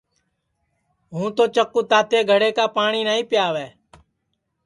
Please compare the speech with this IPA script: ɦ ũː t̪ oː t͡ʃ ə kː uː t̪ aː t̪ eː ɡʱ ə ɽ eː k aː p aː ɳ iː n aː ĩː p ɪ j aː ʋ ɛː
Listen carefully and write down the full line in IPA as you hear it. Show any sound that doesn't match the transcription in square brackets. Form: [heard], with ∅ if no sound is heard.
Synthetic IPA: ɦ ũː t̪ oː t͡ʃ ə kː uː t̪ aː t̪ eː ɡʱ ə ɽ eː k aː p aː ɳ iː n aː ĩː p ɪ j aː ʋ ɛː